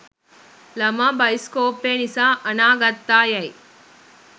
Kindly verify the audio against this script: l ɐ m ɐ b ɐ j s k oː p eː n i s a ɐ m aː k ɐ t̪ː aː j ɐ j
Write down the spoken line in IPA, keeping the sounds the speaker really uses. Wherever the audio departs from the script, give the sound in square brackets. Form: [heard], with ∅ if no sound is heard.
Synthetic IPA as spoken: l ɐ m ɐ b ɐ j s k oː p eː n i s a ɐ [n] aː [ɡ] ɐ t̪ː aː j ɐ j